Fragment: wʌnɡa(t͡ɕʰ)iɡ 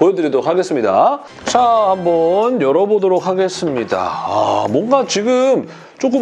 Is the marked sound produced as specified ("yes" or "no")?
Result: no